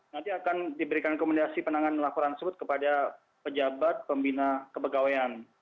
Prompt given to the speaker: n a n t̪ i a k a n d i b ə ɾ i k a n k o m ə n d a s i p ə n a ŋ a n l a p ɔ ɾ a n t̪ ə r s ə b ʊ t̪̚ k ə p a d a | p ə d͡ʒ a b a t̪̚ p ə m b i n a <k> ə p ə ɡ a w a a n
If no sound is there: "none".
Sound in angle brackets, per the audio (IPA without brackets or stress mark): k